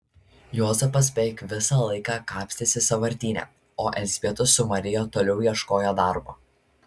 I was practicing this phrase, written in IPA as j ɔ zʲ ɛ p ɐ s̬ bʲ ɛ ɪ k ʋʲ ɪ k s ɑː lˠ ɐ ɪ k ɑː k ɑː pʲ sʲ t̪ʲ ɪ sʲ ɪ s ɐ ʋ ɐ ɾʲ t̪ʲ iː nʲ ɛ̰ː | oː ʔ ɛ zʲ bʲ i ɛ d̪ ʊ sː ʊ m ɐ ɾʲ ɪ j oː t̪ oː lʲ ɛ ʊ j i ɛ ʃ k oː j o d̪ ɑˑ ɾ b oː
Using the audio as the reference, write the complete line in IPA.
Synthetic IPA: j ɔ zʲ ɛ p ɐ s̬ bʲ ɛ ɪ k ʋʲ ɪ s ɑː lˠ ɐ ɪ k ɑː k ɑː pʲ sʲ t̪ʲ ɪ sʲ ɪ s ɐ ʋ ɐ ɾʲ t̪ʲ iː nʲ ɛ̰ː | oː ʔ ɛ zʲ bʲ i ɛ t̪ ʊ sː ʊ m ɐ ɾʲ ɪ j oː t̪ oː lʲ ɛ ʊ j i ɛ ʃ k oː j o d̪ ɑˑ ɾ b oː